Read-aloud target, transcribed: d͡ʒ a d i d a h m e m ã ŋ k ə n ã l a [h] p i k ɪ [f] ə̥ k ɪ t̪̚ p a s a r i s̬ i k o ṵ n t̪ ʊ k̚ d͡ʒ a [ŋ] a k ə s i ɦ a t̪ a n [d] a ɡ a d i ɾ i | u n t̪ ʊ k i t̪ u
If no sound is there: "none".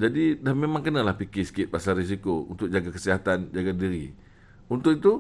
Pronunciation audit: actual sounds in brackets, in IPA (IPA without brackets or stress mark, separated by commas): h, s, ɡ, d͡ʒ